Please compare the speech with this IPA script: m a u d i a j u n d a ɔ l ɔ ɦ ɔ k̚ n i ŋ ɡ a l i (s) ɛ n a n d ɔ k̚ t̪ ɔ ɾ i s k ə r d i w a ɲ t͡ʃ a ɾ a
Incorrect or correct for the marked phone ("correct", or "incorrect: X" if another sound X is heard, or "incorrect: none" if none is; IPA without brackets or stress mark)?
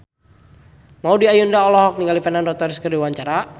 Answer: incorrect: f